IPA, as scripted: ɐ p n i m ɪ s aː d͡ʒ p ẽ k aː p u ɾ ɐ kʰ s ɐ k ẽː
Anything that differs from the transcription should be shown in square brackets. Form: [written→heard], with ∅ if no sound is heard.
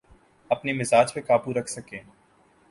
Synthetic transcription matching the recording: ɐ p n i m ɪ [s→z] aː d͡ʒ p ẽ k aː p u ɾ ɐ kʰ s ɐ k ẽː